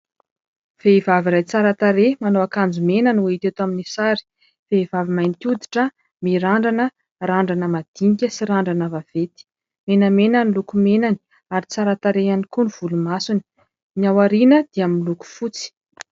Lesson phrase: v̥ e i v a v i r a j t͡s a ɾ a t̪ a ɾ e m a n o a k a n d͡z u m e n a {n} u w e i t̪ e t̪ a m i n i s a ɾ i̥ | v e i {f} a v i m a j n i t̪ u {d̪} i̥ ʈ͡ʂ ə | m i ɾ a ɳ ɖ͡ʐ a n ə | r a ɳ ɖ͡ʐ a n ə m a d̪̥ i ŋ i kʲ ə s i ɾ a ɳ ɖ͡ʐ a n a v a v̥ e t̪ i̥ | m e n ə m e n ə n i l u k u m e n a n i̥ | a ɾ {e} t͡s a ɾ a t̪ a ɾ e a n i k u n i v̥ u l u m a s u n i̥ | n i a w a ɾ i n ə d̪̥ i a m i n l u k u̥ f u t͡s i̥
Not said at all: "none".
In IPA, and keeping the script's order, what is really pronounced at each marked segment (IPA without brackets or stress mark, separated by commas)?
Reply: n, v, d̪, i